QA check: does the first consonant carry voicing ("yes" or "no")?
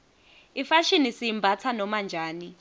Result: no